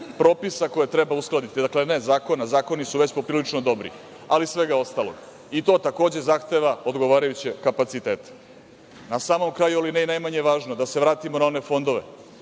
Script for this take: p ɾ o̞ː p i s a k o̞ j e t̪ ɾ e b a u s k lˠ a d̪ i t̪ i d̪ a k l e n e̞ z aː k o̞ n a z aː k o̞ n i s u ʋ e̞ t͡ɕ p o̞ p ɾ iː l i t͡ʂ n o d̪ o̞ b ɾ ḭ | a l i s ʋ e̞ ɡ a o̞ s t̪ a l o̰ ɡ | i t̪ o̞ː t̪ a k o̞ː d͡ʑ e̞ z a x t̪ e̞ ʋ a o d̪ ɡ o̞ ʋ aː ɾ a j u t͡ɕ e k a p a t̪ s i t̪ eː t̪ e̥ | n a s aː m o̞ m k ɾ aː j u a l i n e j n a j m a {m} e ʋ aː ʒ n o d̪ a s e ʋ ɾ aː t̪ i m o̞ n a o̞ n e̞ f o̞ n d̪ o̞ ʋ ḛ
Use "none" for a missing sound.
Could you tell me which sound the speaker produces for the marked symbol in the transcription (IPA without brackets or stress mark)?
ɲ